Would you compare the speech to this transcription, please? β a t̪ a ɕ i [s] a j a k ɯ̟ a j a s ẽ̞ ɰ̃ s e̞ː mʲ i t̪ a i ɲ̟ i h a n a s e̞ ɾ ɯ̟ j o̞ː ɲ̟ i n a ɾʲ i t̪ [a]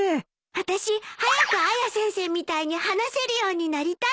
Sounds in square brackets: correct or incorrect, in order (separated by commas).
incorrect, correct